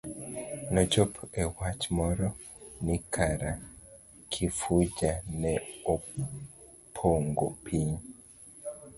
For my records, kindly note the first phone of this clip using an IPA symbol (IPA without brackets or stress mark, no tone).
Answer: n